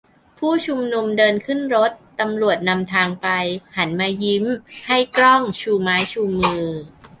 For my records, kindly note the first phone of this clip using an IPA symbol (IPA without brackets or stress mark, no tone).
pʰ